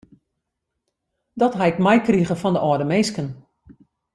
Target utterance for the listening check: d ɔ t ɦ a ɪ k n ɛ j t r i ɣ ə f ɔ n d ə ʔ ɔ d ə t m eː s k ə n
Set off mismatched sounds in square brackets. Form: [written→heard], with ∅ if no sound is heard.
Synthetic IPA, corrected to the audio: d ɔ t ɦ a ɪ k [n→m] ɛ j [t→k] r i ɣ ə f ɔ n d ə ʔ ɔ d ə [t→∅] m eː s k ə n

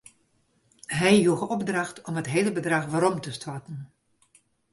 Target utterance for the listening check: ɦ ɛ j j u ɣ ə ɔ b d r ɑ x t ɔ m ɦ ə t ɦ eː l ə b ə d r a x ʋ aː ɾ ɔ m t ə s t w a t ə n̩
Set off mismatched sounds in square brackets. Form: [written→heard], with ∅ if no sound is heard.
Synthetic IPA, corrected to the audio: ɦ ɛ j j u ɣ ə ɔ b d r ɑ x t ɔ m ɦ ə t ɦ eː l ə b ə d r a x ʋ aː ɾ ɔ m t ə s t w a t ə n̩

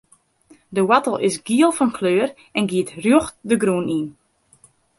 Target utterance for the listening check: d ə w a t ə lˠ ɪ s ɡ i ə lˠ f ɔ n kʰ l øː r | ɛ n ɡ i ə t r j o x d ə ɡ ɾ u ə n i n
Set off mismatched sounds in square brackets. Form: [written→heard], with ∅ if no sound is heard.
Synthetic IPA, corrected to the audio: d ə w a t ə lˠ ɪ s ɡ i ə lˠ f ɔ n kʰ l øː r | ɛ n ɡ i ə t r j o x d ə ɡ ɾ u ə n i n

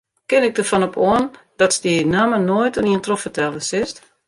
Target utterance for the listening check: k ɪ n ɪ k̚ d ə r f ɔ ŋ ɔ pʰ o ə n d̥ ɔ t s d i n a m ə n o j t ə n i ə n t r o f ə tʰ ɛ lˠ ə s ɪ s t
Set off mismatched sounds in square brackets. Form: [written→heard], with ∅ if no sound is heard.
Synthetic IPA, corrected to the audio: k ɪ n ɪ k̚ d ə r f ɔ [ŋ→n] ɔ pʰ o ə n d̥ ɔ t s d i n a m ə n o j t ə n i ə n t r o f ə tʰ ɛ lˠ ə s ɪ s t

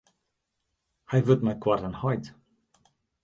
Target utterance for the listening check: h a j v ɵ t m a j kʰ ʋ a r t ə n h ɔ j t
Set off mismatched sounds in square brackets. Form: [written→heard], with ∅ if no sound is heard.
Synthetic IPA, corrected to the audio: h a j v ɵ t m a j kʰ [ʋ→w] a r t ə n h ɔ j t

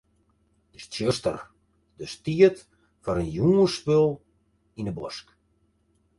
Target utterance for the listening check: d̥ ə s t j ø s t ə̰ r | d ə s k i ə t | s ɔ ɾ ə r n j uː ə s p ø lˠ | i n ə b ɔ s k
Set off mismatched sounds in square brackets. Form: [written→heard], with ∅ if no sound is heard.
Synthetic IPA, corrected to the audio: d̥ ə s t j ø s t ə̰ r | d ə s [k→t] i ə t | [s→f] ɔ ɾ ə [r→∅] n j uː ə s p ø lˠ | i n ə b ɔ s k

